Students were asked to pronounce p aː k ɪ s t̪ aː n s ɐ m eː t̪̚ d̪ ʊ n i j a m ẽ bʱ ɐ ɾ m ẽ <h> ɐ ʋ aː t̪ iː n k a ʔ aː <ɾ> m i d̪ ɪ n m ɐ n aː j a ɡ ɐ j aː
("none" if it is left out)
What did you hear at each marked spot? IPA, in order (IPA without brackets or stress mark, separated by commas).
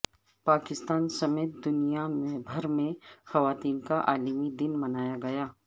x, l